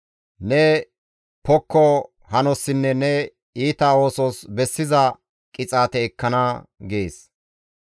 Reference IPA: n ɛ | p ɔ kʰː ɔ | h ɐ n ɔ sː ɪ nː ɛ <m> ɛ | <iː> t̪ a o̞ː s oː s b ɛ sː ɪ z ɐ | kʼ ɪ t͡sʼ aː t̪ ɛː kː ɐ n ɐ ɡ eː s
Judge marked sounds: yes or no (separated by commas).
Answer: no, yes